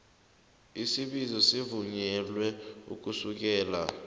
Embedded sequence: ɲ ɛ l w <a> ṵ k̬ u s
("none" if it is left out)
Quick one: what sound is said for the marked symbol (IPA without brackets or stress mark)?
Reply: ɛ